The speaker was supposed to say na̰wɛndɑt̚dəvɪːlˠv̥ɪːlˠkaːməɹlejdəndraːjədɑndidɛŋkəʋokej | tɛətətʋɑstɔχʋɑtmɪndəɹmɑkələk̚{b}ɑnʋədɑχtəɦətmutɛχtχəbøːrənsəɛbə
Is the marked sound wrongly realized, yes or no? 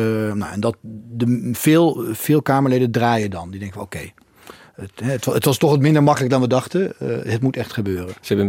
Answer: yes